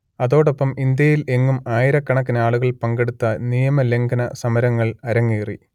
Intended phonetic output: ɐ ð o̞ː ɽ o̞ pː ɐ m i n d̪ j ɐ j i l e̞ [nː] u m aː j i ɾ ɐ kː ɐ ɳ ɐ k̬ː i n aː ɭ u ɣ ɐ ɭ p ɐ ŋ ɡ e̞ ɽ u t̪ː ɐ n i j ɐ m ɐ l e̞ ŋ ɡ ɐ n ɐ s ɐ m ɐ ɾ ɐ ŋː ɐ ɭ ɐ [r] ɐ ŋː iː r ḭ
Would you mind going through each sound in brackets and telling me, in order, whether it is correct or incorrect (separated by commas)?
incorrect, incorrect